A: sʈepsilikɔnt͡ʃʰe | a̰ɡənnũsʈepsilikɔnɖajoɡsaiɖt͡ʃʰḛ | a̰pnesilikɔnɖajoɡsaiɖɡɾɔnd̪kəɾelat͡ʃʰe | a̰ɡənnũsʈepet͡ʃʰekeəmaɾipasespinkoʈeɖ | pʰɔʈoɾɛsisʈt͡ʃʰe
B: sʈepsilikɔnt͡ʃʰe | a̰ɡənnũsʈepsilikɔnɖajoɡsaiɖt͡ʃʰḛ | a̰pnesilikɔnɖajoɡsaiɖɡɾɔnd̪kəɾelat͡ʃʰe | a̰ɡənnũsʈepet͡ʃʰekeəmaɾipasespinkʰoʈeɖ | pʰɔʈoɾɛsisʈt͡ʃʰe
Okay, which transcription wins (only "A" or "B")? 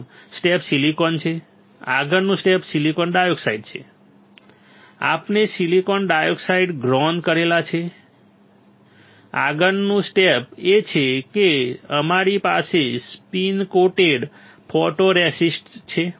A